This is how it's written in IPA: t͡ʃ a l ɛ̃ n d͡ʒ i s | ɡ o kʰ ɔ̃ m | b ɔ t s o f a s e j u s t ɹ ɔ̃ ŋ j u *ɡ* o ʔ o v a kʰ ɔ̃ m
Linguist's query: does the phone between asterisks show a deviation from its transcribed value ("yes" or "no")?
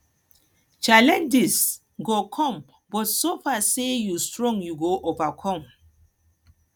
no